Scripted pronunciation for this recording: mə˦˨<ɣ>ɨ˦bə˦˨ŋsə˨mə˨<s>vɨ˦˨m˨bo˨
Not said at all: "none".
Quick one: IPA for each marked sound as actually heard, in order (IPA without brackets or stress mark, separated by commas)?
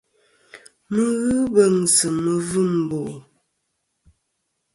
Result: ɣ, none